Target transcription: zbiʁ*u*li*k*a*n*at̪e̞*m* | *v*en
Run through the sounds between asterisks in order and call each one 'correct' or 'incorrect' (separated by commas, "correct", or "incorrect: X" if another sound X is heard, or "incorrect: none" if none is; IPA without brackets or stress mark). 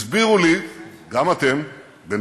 correct, incorrect: ɡ, incorrect: m, correct, incorrect: b